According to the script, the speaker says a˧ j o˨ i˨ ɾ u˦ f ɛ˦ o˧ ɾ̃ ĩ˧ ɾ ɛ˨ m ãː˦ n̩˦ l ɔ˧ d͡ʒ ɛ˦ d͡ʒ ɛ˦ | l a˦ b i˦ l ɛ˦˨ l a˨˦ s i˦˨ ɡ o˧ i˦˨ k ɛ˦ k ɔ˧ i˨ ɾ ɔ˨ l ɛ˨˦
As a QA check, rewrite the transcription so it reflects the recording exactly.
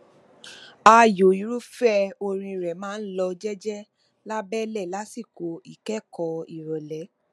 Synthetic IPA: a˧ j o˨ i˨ ɾ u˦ f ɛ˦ o˧ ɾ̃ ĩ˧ ɾ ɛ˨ m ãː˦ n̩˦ l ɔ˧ d͡ʒ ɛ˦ d͡ʒ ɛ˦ | l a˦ b ɛ˦ l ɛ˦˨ l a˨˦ s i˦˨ k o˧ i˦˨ k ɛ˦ k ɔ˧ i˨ ɾ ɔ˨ l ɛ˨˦

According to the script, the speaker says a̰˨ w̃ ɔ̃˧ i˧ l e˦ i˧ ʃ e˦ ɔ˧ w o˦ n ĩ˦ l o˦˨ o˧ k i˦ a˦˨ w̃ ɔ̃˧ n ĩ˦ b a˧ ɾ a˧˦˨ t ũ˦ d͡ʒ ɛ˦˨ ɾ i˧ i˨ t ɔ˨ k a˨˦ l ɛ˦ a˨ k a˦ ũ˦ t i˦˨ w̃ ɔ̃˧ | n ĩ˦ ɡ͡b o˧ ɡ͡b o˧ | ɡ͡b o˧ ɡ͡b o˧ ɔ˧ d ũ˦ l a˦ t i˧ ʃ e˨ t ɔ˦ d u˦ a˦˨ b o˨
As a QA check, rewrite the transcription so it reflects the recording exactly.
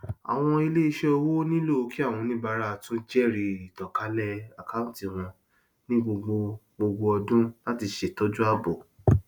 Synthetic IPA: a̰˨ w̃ ɔ̃˧ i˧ l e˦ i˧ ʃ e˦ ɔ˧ w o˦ n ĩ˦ l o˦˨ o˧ k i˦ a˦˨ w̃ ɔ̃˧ n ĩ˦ b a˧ ɾ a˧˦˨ t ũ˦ d͡ʒ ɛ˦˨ ɾ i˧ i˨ t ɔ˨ k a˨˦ l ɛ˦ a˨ k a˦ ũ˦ t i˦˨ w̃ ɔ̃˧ | n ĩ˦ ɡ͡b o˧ ɡ͡b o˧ | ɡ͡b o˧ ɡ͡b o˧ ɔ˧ d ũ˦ l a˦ t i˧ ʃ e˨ t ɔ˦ d͡ʒ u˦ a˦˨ b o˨

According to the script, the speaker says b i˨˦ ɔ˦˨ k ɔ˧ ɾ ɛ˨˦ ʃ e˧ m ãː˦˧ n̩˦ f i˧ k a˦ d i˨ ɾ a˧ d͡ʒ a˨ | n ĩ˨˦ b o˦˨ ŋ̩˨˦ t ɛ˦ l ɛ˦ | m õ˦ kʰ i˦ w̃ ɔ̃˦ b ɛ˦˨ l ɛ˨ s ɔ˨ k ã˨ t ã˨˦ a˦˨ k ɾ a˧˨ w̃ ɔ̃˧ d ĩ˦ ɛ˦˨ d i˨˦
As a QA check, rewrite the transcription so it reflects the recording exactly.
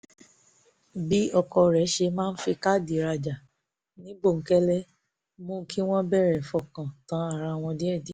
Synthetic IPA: b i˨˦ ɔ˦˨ k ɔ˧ ɾ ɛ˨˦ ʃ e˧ m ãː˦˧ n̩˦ f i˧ k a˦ d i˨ ɾ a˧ d͡ʒ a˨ | n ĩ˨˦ b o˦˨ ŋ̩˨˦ k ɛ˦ l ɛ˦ | m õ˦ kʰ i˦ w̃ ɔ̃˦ b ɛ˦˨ ɾ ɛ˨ f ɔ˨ k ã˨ t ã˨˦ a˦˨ ɾ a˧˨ w̃ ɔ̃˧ d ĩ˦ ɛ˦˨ d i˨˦

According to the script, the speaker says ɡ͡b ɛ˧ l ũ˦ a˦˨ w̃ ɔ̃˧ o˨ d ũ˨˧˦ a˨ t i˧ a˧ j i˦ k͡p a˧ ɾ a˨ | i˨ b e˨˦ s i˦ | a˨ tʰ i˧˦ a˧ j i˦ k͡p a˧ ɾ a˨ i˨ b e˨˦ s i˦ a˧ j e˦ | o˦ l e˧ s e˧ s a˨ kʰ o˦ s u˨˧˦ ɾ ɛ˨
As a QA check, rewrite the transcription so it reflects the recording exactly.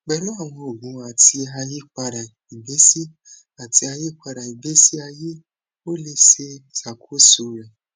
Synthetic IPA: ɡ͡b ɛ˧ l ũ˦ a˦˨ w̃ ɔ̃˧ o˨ ɡ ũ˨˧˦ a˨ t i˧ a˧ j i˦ k͡p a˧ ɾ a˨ | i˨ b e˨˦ s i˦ | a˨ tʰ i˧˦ a˧ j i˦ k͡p a˧ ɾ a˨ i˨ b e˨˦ s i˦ a˧ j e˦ | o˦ l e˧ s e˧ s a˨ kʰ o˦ s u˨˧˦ ɾ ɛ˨

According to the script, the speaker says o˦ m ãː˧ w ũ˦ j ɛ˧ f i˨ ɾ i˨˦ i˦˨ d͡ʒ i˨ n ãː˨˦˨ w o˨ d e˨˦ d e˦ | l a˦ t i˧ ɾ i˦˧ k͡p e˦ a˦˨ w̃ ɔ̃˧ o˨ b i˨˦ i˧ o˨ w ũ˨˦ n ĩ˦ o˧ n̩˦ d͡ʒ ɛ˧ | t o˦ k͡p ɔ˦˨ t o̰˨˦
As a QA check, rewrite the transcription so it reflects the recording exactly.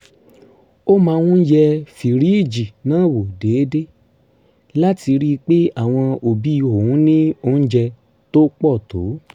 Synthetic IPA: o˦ m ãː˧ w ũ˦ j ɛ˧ f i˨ ɾ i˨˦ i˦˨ d͡ʒ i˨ n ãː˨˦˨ w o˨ d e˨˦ d e˦ | l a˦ t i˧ ɾ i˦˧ k͡p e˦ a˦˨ w̃ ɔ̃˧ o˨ b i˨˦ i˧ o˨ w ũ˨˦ n ĩ˦ o˧ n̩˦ d͡ʒ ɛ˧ | t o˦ k͡p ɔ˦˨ t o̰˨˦

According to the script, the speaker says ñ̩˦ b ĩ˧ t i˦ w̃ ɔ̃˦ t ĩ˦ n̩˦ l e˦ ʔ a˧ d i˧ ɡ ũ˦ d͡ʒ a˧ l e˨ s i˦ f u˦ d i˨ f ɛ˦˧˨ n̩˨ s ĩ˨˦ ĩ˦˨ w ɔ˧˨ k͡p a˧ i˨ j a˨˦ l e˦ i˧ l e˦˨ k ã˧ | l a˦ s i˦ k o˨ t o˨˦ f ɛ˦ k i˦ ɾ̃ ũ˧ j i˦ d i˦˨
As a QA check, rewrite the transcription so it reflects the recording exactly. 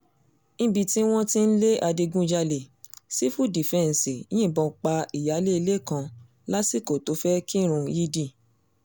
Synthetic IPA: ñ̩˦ b i˧ t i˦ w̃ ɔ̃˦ t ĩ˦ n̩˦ l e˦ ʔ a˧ d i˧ ɡ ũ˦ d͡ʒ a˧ l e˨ s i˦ f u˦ d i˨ f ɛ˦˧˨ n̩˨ s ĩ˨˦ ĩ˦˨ b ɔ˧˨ k͡p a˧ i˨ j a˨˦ l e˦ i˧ l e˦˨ k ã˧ | l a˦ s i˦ k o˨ t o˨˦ f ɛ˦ k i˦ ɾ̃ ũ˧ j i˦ d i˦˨

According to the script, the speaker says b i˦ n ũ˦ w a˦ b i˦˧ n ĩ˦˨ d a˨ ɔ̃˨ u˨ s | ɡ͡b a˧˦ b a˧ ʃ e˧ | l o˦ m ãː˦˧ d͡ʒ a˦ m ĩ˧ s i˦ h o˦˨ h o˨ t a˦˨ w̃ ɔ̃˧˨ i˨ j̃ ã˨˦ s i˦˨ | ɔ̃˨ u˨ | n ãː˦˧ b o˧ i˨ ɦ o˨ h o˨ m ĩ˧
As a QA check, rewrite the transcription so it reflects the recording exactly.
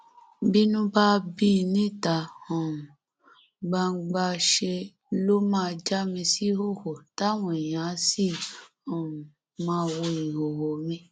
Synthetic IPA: b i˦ n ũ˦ b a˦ b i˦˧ n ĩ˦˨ t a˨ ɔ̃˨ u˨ | ɡ͡b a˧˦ ɡ͡b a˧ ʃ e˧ | l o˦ m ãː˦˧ d͡ʒ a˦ m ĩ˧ s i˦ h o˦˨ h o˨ t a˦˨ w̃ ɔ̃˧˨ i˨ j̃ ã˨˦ s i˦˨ | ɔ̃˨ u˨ | m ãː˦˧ w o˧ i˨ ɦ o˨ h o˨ m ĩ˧

